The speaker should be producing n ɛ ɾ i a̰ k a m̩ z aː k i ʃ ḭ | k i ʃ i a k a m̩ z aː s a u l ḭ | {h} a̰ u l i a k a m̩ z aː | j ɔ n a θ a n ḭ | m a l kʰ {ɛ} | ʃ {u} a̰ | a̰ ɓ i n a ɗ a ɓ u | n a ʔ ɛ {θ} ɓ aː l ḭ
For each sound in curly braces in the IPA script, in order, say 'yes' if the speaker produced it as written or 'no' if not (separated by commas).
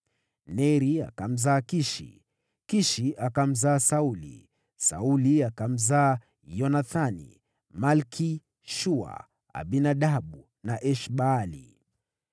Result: no, no, yes, no